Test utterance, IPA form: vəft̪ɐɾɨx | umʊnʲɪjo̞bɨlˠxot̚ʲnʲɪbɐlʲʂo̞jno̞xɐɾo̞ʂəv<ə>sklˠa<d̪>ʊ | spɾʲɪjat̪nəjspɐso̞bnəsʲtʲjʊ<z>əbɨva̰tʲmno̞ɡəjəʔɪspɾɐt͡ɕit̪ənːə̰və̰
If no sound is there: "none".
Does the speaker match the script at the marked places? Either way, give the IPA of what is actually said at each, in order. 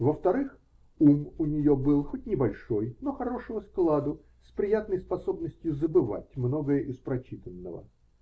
ə, d̪, z

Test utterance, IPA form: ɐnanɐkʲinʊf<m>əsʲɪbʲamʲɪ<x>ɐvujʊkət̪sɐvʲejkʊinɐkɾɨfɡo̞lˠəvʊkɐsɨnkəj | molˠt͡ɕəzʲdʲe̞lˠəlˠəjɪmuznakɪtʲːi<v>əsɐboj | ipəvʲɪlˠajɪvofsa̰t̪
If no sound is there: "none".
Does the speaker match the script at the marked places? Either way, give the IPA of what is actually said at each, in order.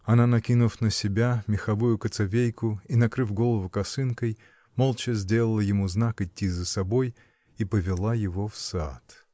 n, x, z

